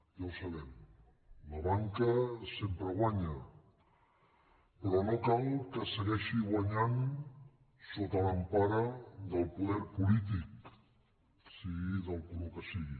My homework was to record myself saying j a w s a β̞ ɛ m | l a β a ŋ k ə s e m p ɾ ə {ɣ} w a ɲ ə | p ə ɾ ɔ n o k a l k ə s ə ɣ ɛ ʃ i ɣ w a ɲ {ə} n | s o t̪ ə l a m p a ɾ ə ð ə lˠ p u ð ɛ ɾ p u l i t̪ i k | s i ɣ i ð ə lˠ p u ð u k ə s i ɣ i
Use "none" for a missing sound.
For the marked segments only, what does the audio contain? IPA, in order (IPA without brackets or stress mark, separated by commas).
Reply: ɣ, a